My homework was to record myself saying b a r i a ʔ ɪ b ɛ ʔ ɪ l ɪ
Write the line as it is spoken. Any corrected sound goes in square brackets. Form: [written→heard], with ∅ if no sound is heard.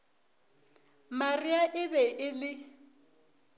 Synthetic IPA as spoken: [b→m] a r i a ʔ ɪ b ɛ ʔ ɪ l ɪ